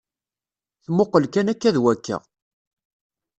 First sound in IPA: θ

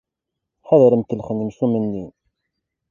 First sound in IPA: ħ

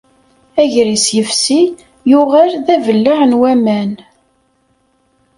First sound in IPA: æ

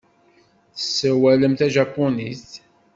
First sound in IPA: θ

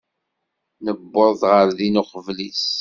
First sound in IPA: n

